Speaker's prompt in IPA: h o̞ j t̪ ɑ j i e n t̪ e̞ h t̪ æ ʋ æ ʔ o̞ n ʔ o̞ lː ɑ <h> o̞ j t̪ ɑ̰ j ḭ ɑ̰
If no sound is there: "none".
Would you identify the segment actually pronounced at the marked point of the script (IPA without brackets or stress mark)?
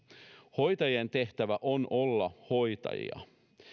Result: h